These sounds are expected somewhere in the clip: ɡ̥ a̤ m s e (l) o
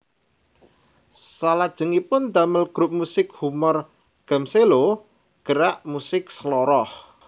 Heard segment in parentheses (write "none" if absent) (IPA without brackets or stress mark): l